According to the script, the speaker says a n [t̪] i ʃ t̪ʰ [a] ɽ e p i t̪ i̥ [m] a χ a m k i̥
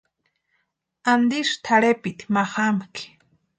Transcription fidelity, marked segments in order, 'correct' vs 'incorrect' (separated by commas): incorrect, correct, correct